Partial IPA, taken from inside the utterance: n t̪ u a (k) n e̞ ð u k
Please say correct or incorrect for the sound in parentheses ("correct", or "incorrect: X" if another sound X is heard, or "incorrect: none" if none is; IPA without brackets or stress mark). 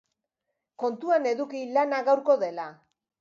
incorrect: none